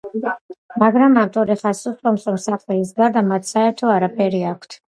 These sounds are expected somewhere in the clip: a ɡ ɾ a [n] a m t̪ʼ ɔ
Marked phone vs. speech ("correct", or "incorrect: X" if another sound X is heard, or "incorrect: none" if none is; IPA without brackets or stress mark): incorrect: m